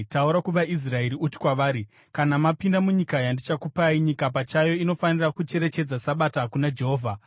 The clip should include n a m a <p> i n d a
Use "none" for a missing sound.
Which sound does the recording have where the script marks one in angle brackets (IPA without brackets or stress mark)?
p